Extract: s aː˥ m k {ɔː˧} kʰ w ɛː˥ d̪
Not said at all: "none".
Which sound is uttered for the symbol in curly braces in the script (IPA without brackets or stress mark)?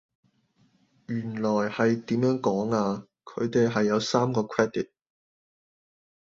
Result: ɔː˧